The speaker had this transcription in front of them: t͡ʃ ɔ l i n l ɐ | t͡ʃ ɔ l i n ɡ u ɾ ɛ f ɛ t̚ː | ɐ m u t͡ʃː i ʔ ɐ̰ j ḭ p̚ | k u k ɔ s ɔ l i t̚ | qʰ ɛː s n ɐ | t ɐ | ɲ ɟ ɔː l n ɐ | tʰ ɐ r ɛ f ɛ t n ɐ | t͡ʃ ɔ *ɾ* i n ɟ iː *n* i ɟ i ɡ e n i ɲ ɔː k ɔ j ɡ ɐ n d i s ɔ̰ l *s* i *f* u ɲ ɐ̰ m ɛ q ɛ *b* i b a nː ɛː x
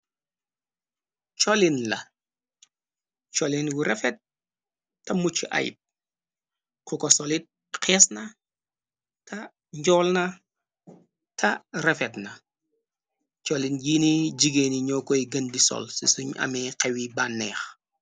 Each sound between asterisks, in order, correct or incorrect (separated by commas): incorrect, correct, correct, incorrect, incorrect